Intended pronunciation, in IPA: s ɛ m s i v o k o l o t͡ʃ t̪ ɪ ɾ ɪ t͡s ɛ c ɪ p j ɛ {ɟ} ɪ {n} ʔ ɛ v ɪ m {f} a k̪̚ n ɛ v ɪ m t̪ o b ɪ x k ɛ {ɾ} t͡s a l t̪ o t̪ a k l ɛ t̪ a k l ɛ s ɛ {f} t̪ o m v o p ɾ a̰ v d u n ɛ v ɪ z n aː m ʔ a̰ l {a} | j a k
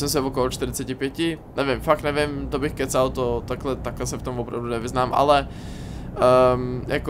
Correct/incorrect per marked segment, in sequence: incorrect: c, correct, correct, incorrect: none, correct, incorrect: ɛ

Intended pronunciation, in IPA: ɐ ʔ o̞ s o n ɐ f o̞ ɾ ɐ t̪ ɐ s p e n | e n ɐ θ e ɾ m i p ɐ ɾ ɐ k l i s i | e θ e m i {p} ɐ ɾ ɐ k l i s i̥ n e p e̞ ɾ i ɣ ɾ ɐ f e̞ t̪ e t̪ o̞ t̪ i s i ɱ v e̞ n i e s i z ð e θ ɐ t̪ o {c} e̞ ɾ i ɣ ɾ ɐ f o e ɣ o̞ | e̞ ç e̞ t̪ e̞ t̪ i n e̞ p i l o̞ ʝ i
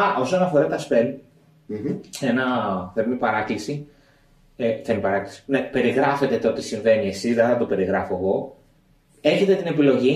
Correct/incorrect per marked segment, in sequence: correct, incorrect: p

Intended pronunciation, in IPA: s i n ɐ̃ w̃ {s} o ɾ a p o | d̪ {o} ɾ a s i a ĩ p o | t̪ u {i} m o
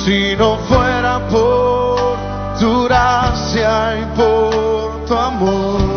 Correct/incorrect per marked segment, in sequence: incorrect: f, incorrect: u, incorrect: a

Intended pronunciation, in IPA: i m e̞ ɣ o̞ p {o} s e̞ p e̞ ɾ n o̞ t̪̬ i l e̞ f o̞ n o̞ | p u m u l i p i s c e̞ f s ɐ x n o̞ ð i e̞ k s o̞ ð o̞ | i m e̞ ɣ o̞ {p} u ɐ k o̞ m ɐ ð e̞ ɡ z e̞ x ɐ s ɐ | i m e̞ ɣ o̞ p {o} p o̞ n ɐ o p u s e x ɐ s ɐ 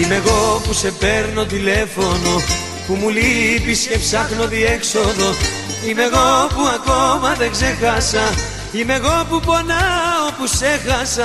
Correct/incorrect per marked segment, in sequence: incorrect: u, correct, incorrect: u

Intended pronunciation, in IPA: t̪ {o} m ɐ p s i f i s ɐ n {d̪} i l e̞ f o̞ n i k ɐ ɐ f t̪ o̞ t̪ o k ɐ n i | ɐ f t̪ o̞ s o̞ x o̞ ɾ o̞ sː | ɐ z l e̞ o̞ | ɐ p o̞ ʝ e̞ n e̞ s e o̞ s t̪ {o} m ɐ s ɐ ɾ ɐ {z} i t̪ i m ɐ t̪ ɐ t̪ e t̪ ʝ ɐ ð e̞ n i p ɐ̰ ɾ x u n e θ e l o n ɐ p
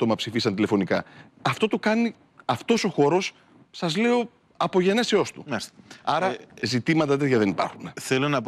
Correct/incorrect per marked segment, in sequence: correct, incorrect: t̪, incorrect: u, correct

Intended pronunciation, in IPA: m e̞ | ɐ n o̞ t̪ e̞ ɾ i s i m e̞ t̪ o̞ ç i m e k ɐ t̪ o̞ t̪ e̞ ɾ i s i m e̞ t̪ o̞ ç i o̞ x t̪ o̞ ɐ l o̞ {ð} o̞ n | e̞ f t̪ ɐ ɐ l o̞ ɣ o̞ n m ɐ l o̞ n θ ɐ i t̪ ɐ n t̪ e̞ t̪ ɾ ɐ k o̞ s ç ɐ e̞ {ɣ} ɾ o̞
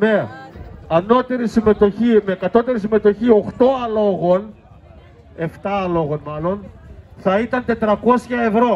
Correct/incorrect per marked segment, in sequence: incorrect: ɣ, incorrect: v

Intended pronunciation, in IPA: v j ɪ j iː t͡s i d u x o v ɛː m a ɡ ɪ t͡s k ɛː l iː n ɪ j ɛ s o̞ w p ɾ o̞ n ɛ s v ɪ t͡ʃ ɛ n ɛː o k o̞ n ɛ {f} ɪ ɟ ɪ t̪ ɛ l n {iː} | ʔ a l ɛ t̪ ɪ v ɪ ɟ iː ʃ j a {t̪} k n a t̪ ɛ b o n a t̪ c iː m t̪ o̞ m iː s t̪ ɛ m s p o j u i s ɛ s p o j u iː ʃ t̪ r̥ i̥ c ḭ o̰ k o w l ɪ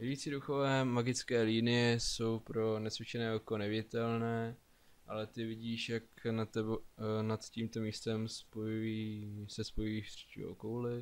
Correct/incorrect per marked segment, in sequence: incorrect: v, incorrect: ɛː, incorrect: none

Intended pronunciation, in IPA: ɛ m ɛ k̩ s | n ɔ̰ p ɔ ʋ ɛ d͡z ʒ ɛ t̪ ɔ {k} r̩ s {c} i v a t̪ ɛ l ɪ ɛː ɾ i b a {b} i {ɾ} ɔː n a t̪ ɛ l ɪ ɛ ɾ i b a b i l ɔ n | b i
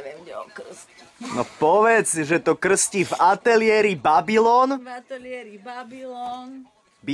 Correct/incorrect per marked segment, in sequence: correct, correct, correct, incorrect: l

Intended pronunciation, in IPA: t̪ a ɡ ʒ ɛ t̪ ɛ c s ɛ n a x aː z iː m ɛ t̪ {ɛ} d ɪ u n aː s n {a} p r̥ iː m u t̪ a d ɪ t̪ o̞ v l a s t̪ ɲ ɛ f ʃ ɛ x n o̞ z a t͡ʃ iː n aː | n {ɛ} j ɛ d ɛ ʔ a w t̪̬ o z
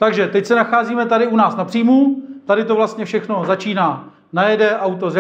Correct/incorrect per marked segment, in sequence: incorrect: a, correct, incorrect: a

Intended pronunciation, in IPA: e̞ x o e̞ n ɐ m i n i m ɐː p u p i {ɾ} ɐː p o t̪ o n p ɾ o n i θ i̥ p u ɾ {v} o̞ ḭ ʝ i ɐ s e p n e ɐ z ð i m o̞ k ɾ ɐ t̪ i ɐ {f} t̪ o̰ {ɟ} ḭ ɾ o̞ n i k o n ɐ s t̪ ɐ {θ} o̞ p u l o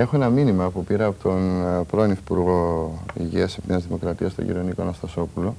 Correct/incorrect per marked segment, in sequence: correct, incorrect: ɣ, incorrect: s, correct, incorrect: s

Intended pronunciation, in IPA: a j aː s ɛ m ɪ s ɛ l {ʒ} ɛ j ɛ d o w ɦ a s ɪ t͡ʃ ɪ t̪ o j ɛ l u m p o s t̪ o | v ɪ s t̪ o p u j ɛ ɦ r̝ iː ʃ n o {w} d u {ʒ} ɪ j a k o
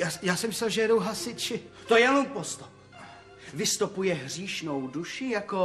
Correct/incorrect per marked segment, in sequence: correct, correct, incorrect: ʃ

